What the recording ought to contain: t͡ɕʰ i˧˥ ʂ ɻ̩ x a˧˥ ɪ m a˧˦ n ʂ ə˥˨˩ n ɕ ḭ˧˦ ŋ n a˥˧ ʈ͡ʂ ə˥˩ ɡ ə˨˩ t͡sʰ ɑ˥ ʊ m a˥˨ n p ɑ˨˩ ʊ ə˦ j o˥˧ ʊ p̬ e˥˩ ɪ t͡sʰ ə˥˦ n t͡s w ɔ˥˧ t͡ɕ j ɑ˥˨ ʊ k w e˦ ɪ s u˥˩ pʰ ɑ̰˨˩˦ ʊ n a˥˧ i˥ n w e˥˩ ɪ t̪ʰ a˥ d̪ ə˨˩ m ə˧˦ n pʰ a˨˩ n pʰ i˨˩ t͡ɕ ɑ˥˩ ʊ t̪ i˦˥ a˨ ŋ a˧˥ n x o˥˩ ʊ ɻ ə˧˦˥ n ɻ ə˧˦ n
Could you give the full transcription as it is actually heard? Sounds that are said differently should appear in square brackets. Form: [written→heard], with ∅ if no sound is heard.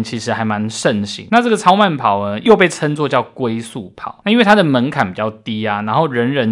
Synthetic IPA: t͡ɕʰ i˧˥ ʂ ɻ̩ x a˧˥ ɪ m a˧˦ n ʂ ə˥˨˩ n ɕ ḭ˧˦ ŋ n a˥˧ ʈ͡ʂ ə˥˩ ɡ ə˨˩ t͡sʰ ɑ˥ ʊ m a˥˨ n [p→pʰ] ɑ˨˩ ʊ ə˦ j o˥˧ ʊ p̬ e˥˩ ɪ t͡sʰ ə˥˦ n t͡s w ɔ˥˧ t͡ɕ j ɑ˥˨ ʊ k w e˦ ɪ s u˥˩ pʰ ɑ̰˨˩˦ ʊ n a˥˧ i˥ n w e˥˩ ɪ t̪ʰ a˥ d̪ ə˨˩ m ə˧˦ n [pʰ→kʰ] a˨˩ n [pʰ→p] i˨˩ t͡ɕ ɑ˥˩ ʊ t̪ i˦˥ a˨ [ŋ→n] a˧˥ n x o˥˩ ʊ ɻ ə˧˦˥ n ɻ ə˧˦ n